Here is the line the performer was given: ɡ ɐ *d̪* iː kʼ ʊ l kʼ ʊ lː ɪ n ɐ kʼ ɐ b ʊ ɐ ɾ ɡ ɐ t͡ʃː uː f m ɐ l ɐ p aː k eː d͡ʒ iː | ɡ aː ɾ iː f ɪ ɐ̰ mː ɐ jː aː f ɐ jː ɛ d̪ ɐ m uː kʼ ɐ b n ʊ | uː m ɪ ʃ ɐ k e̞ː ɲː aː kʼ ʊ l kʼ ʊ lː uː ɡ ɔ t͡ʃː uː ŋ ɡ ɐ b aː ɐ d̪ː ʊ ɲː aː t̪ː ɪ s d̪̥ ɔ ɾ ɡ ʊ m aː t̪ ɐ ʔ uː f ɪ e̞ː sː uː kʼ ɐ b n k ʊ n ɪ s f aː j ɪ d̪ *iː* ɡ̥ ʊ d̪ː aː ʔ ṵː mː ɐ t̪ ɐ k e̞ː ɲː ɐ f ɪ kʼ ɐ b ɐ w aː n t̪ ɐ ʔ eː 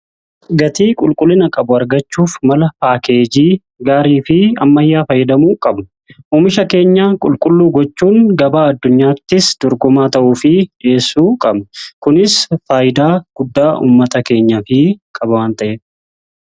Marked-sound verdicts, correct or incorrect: incorrect: t̪, incorrect: aː

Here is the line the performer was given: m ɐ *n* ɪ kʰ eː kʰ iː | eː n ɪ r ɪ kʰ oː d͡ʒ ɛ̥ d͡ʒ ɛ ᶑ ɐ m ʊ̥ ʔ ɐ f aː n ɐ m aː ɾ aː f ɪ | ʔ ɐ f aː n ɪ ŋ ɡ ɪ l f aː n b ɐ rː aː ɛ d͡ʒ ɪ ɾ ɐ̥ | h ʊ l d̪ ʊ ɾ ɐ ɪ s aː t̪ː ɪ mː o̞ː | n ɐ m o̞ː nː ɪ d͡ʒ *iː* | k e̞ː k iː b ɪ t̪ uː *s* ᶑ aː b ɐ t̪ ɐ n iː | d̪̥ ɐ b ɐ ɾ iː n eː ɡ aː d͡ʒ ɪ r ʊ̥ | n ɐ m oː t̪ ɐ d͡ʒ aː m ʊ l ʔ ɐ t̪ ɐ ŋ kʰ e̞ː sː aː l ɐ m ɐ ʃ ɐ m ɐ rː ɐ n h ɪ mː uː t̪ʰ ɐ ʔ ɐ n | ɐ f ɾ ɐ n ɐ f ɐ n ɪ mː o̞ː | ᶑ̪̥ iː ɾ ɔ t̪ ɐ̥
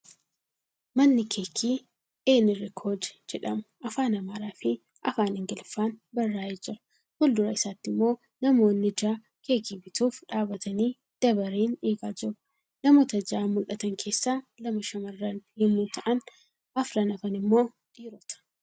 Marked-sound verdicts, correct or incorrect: incorrect: nː, incorrect: aː, incorrect: f

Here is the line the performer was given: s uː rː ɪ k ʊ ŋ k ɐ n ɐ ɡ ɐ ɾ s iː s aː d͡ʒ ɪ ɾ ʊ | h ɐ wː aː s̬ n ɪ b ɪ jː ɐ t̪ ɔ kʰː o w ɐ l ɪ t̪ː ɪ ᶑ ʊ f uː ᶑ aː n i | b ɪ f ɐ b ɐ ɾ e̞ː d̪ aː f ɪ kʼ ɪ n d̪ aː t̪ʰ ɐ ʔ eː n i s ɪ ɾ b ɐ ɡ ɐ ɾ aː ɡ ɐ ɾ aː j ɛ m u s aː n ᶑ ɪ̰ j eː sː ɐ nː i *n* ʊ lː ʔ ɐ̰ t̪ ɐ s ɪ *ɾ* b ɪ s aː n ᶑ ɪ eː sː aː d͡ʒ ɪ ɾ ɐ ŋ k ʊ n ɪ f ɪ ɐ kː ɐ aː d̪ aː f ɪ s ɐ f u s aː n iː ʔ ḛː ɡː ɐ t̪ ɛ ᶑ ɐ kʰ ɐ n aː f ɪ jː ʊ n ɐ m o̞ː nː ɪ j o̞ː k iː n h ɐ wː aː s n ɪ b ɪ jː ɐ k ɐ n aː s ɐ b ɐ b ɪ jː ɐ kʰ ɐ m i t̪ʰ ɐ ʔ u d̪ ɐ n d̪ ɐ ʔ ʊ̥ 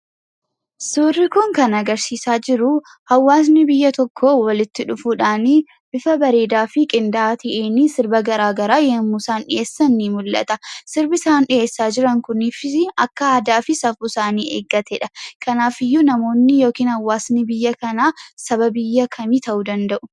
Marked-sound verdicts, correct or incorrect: incorrect: m, correct

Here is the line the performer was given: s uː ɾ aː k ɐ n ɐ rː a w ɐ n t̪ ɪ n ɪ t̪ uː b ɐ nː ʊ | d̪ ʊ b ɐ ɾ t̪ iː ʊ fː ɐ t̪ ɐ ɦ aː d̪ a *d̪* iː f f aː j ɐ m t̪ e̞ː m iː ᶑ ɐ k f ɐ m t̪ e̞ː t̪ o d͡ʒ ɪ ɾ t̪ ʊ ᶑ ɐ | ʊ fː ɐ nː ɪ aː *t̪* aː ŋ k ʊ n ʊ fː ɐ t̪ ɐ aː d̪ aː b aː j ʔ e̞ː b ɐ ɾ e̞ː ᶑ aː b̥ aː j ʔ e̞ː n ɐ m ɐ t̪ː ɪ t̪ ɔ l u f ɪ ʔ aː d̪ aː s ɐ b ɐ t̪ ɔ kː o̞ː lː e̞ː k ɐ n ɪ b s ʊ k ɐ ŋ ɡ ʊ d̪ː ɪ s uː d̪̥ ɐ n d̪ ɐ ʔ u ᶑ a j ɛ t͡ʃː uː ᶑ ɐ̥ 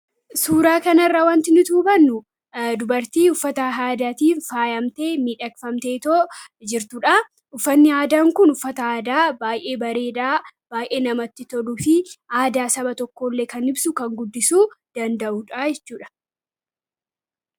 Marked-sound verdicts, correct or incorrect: incorrect: t̪, incorrect: d̪

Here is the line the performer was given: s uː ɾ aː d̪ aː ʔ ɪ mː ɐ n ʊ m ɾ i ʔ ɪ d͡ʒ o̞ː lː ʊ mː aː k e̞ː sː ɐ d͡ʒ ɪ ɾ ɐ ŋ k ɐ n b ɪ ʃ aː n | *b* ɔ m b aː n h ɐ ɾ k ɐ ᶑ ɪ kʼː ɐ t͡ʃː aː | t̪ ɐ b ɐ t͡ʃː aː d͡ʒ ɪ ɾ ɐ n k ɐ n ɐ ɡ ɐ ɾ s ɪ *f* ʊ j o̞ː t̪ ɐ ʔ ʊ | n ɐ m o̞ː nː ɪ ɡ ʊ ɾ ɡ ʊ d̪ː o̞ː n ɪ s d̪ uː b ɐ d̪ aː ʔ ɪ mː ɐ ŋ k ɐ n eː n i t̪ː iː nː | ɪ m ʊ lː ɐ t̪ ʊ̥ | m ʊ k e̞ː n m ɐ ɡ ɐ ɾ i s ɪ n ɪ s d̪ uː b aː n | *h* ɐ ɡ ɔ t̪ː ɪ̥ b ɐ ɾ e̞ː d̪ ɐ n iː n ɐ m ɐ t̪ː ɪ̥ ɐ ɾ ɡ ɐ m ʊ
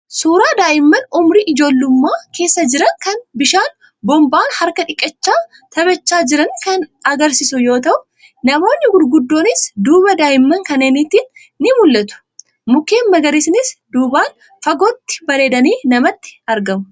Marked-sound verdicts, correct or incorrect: correct, incorrect: s, incorrect: f

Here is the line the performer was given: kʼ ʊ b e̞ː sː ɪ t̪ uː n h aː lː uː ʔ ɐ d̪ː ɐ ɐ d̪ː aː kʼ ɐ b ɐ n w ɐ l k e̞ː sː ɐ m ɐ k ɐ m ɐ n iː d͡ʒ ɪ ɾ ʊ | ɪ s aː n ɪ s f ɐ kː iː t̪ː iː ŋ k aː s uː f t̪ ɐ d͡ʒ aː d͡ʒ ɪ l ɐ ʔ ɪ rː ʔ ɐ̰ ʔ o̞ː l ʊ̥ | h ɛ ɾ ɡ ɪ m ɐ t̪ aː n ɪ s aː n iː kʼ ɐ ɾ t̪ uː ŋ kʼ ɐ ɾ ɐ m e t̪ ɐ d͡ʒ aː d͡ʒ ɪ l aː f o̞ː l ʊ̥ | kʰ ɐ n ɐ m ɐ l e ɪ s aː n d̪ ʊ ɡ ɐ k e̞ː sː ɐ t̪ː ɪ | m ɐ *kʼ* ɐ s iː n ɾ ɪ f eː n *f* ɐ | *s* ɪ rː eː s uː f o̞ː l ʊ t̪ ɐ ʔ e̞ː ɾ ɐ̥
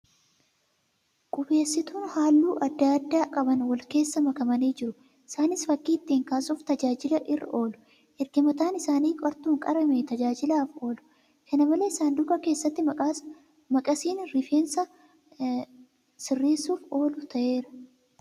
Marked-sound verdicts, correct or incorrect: correct, incorrect: s, correct

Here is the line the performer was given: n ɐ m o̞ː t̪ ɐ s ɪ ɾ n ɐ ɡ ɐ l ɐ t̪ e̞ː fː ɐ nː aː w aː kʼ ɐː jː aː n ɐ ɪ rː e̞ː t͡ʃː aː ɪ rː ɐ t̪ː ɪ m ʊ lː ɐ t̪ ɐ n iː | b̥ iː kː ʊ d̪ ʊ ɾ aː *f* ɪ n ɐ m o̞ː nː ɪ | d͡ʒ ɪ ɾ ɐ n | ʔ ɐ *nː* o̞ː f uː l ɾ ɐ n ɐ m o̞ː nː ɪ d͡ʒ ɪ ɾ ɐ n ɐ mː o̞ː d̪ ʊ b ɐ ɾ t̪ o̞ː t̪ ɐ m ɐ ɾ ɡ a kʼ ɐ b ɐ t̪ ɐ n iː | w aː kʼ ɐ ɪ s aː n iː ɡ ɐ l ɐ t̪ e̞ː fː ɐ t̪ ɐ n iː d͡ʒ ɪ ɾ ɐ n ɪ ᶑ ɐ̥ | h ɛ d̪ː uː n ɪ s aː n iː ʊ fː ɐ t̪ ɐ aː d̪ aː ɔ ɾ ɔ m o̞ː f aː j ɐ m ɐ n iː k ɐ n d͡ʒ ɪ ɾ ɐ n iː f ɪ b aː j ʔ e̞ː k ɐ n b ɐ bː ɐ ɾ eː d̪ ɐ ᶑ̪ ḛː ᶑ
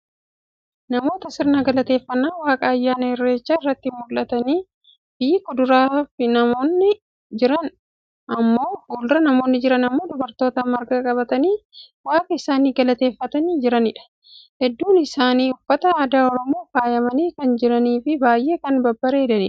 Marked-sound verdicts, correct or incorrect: correct, incorrect: mː

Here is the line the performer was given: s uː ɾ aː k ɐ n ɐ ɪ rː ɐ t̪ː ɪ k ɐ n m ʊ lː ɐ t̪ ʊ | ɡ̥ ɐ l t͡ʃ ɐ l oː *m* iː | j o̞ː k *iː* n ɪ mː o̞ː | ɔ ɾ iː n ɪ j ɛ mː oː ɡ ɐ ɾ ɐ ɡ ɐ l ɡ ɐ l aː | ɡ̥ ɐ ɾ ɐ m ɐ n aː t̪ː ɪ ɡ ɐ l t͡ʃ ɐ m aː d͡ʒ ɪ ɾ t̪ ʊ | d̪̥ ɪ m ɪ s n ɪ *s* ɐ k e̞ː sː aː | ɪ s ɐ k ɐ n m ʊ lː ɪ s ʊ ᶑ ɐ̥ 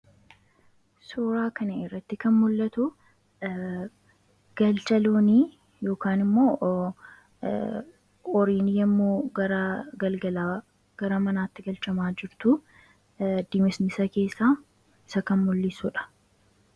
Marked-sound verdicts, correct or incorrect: incorrect: n, incorrect: aː, correct

